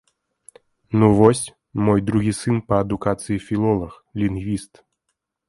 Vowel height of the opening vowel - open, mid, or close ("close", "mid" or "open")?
close